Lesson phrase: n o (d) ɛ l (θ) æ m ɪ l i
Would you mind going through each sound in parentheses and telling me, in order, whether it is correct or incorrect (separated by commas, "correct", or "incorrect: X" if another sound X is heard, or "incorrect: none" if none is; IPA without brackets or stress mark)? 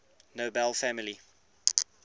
incorrect: b, incorrect: f